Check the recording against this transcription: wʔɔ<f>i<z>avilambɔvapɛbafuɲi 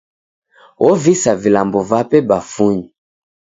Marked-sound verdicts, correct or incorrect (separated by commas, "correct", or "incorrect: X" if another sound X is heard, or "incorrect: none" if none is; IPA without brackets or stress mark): incorrect: v, incorrect: s